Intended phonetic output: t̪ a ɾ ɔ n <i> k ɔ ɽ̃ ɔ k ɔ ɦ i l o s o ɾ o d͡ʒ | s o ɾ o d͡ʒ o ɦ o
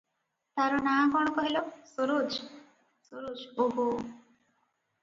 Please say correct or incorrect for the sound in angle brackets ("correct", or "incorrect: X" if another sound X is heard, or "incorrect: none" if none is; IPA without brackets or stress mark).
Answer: incorrect: a